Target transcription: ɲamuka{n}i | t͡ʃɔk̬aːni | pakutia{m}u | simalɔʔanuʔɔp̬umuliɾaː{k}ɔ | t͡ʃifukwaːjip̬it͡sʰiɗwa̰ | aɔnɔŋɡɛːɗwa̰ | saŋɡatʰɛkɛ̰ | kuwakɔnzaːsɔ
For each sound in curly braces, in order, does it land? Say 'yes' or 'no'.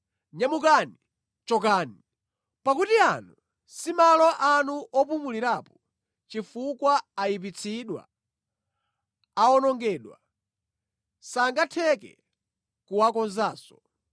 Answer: yes, no, no

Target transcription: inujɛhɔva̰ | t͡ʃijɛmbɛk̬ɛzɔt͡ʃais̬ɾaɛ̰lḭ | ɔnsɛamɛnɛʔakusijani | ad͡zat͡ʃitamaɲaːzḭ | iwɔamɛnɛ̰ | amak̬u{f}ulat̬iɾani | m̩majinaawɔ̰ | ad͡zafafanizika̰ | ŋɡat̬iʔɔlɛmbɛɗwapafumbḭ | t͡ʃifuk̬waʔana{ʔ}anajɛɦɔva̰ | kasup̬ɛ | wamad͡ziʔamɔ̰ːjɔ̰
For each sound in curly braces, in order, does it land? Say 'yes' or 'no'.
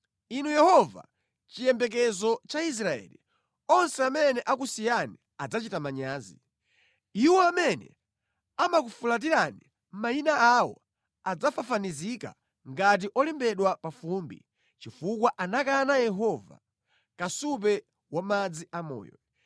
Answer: yes, no

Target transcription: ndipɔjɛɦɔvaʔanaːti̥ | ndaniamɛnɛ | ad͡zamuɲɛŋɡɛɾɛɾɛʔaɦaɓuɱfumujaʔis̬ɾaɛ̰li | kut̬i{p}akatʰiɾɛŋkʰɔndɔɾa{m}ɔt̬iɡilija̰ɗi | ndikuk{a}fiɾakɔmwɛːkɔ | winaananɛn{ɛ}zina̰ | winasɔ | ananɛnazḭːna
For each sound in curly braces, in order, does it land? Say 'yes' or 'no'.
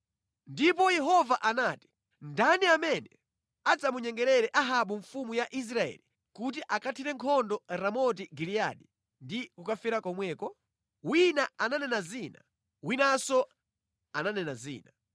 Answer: no, yes, yes, no

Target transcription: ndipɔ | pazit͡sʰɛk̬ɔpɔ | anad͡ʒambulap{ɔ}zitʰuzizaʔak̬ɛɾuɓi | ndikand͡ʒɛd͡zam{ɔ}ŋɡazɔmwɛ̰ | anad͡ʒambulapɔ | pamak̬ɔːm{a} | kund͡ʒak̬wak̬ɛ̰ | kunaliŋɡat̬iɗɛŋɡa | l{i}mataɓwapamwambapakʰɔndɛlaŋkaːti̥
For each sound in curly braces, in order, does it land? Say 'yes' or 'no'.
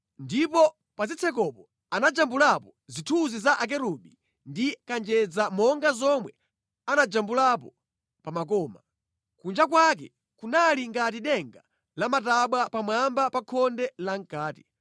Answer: yes, yes, yes, no

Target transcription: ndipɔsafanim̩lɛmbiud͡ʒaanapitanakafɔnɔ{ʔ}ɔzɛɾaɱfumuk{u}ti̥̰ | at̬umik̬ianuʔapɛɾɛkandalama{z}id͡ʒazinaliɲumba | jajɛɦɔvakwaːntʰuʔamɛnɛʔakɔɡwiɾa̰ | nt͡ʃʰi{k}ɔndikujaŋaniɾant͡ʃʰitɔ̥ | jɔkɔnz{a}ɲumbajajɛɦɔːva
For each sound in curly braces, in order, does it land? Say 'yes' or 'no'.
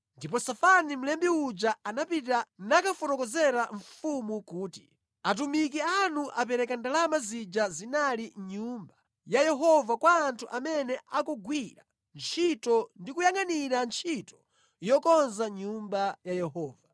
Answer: no, no, yes, no, yes

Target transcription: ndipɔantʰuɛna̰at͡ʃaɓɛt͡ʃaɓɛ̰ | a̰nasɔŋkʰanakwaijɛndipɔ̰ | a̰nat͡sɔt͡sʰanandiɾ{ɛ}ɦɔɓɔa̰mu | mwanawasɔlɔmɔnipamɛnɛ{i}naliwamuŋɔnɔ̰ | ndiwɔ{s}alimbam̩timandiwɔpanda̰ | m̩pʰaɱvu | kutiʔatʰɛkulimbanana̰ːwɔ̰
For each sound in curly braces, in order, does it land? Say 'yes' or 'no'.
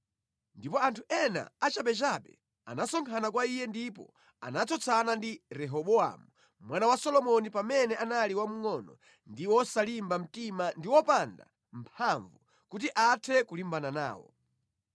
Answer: yes, no, yes

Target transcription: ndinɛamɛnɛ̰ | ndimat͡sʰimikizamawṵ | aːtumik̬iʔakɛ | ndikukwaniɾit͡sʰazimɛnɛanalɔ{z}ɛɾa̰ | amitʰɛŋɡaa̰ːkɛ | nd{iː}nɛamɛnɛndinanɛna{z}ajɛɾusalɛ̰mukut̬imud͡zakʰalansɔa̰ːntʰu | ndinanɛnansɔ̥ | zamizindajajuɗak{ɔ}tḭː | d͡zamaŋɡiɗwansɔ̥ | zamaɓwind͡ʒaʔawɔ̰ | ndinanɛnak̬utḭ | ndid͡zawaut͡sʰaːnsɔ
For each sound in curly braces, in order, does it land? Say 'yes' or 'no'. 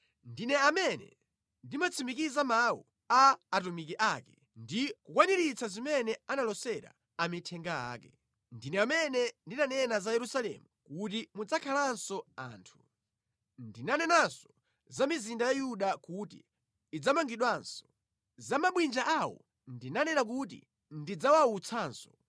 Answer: no, no, yes, no

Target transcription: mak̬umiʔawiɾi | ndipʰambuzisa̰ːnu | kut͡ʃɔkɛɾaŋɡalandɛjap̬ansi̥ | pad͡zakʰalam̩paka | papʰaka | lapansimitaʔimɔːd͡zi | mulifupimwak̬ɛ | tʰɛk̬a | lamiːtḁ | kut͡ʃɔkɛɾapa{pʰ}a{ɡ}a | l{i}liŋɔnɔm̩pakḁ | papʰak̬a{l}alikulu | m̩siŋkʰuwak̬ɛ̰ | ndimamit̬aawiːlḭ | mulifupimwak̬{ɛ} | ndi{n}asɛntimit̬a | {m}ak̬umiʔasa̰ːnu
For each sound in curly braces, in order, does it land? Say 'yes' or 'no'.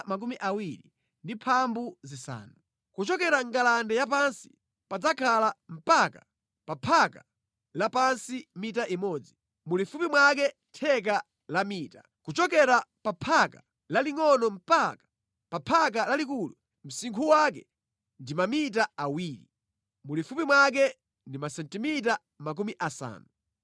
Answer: yes, no, no, yes, yes, no, yes

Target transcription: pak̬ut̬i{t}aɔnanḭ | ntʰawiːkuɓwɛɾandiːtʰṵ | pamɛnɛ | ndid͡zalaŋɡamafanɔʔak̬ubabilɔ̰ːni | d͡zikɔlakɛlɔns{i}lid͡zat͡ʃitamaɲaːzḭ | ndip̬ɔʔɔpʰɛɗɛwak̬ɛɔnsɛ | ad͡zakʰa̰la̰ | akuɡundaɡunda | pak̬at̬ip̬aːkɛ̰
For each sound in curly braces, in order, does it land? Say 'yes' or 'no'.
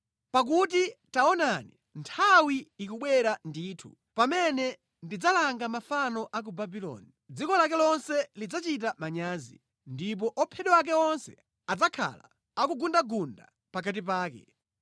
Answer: yes, no

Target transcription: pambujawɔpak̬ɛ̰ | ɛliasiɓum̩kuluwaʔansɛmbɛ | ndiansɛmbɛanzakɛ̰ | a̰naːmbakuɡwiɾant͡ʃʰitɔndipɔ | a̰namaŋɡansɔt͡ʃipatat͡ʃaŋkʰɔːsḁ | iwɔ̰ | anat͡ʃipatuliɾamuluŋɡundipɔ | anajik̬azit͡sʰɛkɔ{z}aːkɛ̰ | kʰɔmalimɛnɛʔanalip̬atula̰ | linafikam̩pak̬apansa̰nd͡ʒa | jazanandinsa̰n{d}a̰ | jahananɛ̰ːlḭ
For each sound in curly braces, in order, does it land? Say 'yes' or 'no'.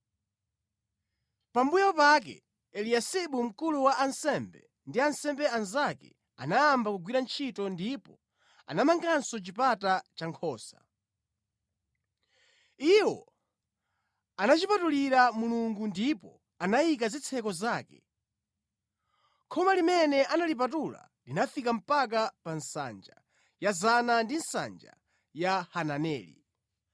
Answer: yes, no

